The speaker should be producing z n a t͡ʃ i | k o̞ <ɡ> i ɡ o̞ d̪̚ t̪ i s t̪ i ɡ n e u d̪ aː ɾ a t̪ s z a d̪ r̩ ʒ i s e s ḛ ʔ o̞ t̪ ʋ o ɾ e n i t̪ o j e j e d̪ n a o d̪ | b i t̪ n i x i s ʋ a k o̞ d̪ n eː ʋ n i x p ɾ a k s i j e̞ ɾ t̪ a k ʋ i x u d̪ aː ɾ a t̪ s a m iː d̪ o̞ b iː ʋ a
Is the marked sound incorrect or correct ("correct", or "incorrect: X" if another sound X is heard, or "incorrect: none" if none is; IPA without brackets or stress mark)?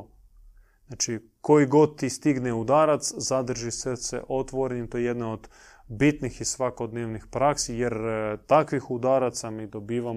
incorrect: none